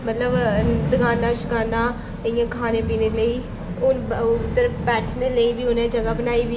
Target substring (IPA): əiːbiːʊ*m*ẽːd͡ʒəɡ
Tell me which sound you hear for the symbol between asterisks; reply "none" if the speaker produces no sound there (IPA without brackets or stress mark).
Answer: n